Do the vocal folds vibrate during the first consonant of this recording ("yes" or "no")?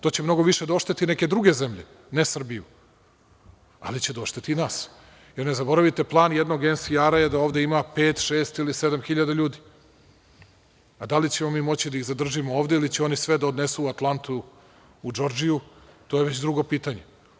no